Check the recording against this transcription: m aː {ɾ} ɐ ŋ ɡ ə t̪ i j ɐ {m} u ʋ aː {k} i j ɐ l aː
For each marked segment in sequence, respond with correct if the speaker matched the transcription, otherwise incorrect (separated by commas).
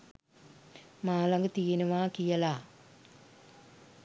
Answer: incorrect, incorrect, correct